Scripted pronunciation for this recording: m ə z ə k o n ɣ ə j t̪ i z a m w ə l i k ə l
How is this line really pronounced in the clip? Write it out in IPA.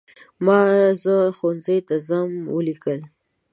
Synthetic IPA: m ɑ z ə x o n z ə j t̪ a z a m w ə l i k ə l